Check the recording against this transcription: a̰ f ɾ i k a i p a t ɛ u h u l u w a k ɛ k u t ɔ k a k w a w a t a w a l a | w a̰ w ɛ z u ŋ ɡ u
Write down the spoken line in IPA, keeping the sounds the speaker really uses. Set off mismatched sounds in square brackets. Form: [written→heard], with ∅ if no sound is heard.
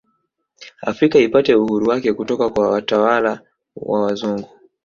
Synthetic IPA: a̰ f ɾ i k a i p a t ɛ u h u [l→ɾ] u w a k ɛ k u t ɔ k a k w a w a t a w a l a | w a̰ w [ɛ→a] z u ŋ ɡ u